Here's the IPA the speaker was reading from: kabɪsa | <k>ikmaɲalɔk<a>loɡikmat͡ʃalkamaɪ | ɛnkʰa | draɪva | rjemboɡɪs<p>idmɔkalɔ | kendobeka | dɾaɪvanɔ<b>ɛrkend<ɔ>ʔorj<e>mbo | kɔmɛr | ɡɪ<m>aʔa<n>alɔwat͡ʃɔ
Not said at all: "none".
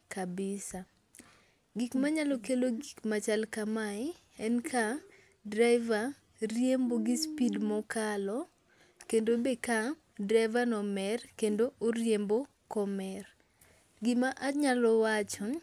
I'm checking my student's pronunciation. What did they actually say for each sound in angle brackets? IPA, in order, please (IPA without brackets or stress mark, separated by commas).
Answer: ɡ, e, p, m, o, e, m, ɲ